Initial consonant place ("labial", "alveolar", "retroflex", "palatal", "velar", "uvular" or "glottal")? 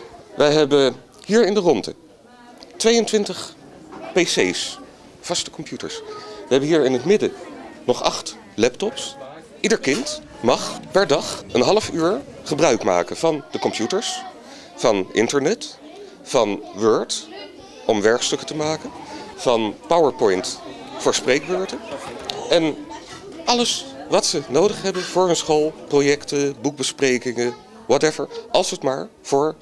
labial